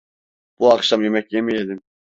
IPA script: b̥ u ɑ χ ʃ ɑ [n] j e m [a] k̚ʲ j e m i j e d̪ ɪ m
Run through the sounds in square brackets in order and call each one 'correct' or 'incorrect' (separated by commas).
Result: incorrect, incorrect